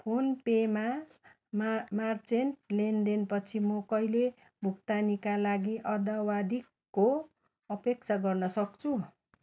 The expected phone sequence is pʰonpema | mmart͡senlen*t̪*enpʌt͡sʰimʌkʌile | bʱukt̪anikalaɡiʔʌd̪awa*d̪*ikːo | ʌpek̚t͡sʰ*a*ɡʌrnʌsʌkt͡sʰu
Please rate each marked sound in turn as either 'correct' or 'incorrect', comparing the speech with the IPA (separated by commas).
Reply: incorrect, correct, correct